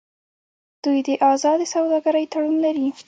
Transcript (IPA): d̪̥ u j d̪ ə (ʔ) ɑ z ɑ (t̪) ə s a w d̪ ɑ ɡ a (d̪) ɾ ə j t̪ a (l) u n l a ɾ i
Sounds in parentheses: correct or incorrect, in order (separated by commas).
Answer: correct, incorrect, incorrect, incorrect